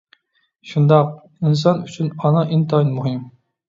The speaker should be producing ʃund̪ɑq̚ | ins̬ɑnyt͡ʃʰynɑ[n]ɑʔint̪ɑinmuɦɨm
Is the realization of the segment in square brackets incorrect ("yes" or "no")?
no